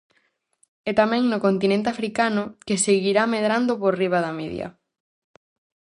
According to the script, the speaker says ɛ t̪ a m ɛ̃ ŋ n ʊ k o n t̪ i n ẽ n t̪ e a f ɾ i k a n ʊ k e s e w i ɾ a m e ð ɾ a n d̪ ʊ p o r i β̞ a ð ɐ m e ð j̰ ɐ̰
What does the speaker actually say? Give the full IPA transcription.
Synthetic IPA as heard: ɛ t̪ a m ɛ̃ ŋ n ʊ k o n t̪ i n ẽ n t̪ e a f ɾ i k a n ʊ k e s e ɣ i ɾ a m e ð ɾ a n d̪ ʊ p o r i β̞ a ð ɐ m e ð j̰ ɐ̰